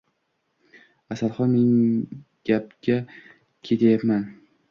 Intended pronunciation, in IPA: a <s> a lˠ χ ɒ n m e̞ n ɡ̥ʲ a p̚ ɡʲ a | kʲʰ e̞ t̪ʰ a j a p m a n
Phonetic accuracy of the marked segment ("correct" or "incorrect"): correct